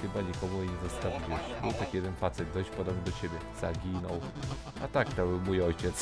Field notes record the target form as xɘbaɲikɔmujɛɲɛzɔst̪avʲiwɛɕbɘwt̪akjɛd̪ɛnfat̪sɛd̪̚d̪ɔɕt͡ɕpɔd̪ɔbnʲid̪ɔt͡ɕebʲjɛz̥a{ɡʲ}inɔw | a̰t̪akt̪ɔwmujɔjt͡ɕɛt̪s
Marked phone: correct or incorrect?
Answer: correct